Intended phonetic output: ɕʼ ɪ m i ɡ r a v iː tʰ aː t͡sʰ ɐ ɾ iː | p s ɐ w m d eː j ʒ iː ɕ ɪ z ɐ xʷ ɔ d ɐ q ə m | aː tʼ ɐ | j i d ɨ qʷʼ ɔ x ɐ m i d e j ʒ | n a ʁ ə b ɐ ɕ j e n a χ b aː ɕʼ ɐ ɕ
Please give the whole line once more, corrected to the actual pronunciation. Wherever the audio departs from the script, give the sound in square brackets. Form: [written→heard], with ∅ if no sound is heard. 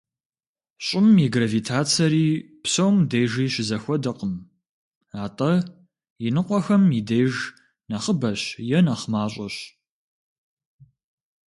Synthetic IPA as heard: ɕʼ ɪ m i ɡ r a v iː tʰ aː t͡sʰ ɐ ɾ iː | p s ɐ w m d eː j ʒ iː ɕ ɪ z ɐ xʷ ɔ d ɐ q ə m | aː tʼ ɐ | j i [d→n] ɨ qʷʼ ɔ x ɐ m i d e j ʒ | n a [ʁ→χ] ə b ɐ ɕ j [e→ɛ] n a χ [b→m] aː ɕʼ ɐ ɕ